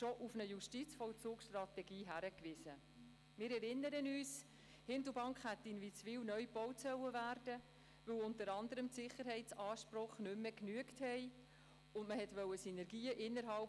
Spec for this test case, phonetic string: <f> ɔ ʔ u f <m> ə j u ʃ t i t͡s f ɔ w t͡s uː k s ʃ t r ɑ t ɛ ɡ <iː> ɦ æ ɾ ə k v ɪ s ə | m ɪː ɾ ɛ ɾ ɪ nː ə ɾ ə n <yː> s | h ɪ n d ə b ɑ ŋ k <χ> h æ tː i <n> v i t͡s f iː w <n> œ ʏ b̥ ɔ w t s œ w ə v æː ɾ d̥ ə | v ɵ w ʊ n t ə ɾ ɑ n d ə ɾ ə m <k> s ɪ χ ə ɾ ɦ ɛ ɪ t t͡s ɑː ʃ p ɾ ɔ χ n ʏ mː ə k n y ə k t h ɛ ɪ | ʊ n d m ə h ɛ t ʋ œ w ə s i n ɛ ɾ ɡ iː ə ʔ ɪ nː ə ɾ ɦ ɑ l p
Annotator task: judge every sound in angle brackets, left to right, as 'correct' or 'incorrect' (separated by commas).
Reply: incorrect, incorrect, correct, correct, correct, correct, correct, incorrect